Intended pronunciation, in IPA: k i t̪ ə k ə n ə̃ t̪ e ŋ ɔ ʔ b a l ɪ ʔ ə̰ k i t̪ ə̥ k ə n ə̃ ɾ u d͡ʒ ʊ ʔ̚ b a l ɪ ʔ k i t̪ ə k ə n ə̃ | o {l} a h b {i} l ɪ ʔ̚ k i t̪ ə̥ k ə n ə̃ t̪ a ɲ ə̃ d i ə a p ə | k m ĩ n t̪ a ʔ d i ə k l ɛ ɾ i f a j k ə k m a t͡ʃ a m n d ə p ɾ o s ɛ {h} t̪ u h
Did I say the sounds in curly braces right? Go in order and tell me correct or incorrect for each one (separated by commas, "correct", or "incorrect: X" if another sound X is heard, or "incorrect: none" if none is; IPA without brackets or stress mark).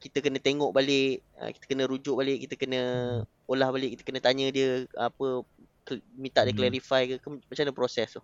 correct, incorrect: a, incorrect: s